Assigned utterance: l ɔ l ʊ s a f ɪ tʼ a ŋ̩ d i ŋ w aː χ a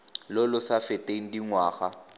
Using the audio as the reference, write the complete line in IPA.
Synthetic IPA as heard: l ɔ l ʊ s a f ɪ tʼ e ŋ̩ d i ŋ w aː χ a